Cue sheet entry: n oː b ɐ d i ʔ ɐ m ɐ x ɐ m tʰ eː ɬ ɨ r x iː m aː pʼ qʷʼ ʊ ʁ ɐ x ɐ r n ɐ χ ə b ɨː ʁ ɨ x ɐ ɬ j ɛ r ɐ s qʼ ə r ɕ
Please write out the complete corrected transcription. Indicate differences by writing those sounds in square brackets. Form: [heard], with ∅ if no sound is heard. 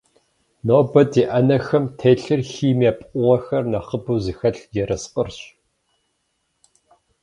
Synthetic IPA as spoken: n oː b ɐ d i ʔ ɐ [n] ɐ x ɐ m tʰ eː ɬ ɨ r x iː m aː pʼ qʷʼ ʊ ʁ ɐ x ɐ r n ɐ χ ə b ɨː [z] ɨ x ɐ ɬ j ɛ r ɐ s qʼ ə r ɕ